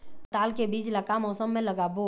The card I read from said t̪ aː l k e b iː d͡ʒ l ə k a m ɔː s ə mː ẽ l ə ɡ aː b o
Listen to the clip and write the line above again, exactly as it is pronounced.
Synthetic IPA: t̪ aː l k e b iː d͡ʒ l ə k a m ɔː s ə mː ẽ l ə ɡ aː b o